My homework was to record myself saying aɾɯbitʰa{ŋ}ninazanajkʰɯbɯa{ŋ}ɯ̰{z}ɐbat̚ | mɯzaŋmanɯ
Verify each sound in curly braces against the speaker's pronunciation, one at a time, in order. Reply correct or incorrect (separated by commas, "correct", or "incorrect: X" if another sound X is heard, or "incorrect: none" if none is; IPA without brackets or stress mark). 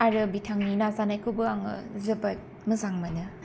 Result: correct, correct, correct